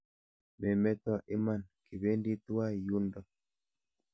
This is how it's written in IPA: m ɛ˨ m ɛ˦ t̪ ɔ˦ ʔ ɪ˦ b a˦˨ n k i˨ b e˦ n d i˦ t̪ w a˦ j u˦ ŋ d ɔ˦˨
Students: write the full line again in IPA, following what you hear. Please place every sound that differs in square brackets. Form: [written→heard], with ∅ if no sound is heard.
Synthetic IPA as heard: m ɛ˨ m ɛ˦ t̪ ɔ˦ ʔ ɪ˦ [b→m] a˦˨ n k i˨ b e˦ n d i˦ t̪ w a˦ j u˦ [ŋ→n] d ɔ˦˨